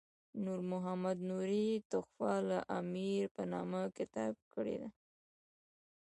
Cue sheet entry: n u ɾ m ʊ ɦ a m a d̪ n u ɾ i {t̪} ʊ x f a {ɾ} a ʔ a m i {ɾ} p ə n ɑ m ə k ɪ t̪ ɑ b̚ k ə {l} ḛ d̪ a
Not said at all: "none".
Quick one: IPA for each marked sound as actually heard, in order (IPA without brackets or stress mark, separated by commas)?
t̪, l, ɾ, ɽ